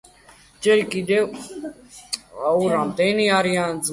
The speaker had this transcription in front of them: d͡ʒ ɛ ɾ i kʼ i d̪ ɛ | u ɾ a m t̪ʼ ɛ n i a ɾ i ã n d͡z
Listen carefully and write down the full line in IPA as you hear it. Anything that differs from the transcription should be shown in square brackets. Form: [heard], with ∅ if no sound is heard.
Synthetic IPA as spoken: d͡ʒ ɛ ɾ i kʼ i d̪ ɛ | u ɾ a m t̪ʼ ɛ n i a ɾ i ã n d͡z